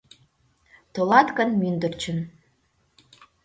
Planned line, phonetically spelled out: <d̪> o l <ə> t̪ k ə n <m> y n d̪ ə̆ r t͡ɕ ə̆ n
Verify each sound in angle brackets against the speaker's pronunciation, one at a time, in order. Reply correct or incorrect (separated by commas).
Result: incorrect, incorrect, correct